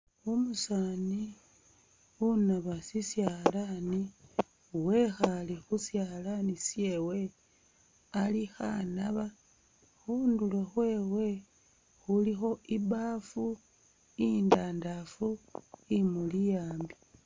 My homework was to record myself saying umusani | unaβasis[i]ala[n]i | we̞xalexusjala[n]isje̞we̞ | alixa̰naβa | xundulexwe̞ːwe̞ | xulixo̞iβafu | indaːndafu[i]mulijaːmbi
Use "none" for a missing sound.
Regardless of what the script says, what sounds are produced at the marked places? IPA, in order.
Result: j, n, n, i

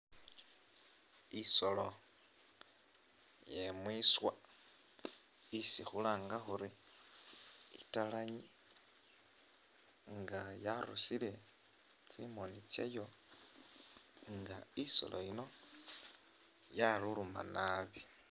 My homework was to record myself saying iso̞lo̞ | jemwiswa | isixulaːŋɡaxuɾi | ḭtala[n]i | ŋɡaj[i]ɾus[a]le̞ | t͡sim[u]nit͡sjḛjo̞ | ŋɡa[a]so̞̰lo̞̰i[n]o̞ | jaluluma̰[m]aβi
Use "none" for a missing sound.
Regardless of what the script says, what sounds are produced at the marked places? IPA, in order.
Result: ɲ, a, i, o, i, n, n

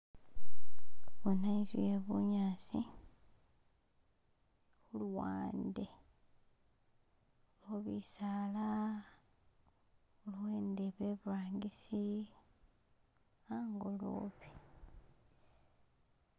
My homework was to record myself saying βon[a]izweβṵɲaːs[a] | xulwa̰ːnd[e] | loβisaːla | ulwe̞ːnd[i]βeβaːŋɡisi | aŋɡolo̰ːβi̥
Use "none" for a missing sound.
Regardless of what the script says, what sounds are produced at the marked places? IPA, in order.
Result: a, i, e, e

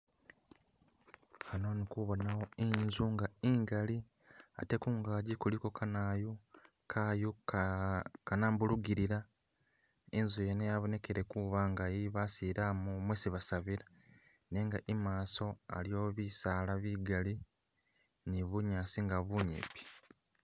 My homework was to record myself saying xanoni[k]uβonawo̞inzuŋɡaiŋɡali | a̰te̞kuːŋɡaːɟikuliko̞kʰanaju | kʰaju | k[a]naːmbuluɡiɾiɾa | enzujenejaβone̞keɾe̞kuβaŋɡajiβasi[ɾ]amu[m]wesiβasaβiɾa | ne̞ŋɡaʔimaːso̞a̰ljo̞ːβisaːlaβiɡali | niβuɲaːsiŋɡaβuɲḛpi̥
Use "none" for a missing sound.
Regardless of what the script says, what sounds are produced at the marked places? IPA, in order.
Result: k, a, ɾ, m

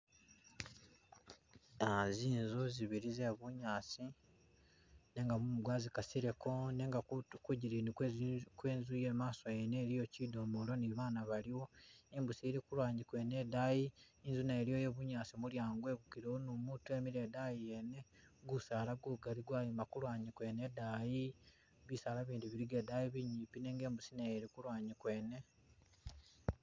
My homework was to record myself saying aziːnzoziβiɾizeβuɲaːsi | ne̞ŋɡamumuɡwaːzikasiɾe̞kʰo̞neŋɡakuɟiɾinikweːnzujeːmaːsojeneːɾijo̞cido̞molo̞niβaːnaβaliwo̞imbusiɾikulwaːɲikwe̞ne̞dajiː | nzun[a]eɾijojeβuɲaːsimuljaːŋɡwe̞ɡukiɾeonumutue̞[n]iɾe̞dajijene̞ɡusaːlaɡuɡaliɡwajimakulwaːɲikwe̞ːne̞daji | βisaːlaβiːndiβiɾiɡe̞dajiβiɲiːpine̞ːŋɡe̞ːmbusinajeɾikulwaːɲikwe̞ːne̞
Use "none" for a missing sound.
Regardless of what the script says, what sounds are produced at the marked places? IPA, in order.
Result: a, m

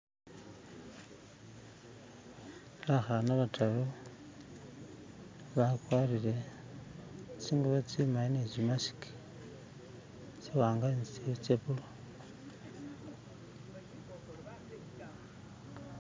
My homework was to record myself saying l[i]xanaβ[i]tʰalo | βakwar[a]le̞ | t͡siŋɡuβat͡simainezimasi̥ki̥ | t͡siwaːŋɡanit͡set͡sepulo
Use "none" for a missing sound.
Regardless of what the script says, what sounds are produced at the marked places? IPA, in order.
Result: a, a, i

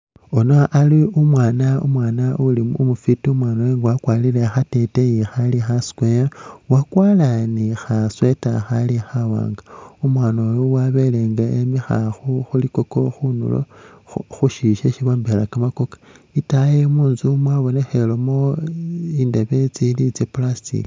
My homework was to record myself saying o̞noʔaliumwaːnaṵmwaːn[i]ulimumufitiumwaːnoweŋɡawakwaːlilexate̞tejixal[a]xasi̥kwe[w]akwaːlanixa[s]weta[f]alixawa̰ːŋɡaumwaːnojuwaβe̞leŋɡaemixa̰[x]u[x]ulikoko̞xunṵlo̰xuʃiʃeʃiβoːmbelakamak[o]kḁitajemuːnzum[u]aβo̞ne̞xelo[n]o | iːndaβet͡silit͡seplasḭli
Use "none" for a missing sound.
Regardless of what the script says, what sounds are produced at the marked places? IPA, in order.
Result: a, i, w, s, x, x, x, o, w, m

